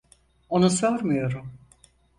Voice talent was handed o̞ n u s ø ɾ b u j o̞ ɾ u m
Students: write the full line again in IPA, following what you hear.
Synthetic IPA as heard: o̞ n u s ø ɾ m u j o̞ ɾ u m